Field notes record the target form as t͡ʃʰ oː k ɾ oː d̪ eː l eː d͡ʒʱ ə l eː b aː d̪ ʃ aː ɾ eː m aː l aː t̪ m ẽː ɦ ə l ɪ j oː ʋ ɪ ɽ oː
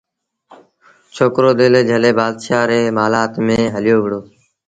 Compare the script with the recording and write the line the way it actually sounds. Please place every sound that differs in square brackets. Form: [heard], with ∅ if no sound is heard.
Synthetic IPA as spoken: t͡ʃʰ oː k ɾ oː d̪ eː l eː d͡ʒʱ ə l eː b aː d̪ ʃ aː ɾ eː m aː l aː t̪ m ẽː ɦ ə l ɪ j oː ʋ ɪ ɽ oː